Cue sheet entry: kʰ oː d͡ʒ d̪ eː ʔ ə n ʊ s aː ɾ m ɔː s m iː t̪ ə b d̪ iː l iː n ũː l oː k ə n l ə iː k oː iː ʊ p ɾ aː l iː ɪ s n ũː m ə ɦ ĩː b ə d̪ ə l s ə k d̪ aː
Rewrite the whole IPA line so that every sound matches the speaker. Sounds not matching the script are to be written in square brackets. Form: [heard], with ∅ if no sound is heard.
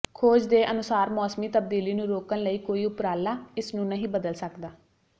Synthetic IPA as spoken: kʰ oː d͡ʒ d̪ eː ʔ ə n ʊ s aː ɾ m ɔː s m iː t̪ ə b d̪ iː l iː n ũː [ɾ] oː k ə n l ə iː k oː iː ʊ p ɾ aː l [aː] ɪ s n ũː [n] ə ɦ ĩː b ə d̪ ə l s ə k d̪ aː